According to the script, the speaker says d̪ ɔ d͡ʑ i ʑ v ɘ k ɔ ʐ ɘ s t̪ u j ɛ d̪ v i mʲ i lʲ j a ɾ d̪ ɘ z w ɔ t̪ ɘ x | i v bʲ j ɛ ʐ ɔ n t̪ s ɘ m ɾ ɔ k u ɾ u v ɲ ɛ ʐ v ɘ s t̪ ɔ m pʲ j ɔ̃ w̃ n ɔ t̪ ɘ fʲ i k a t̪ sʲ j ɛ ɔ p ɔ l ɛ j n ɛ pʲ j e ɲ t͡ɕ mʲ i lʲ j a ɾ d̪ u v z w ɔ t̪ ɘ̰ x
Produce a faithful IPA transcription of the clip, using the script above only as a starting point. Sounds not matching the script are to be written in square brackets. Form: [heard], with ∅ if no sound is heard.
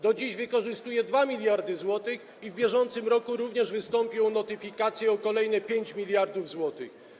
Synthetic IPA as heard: d̪ ɔ d͡ʑ i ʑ v ɘ k ɔ ʐ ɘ s t̪ u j ɛ d̪ v [a] mʲ i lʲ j a ɾ d̪ ɘ z w ɔ t̪ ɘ x | i v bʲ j ɛ ʐ ɔ n t̪ s ɘ m ɾ ɔ k u ɾ u v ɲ ɛ ʐ v ɘ s t̪ ɔ m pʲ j ɔ̃ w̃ n ɔ t̪ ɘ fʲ i k a t̪ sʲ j ɛ ɔ [k] ɔ l ɛ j n ɛ pʲ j e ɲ t͡ɕ mʲ i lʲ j a ɾ d̪ u v z w ɔ t̪ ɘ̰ x